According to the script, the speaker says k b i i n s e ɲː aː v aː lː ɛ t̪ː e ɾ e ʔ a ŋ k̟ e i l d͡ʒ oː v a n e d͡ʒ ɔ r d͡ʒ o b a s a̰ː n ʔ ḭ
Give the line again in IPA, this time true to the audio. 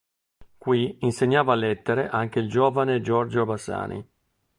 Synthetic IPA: k w i i n s e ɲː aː v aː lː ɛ t̪ː e ɾ e ʔ a ŋ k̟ e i l d͡ʒ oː v a n e d͡ʒ ɔ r d͡ʒ o b a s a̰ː n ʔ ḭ